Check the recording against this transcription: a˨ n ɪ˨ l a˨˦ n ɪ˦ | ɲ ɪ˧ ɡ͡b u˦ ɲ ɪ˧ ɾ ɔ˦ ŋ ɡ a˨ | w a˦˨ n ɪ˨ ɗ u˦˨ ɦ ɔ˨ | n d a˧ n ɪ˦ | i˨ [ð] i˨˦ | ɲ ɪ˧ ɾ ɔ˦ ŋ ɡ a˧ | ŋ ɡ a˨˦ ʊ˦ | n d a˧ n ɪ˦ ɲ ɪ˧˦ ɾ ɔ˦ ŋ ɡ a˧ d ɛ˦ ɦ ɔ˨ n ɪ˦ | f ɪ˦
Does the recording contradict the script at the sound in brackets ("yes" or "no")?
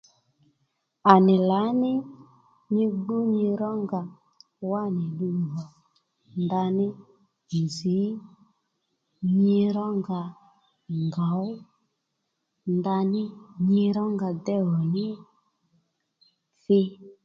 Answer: yes